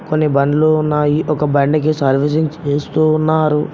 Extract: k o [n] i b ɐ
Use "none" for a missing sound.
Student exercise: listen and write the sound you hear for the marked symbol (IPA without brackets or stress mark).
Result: nː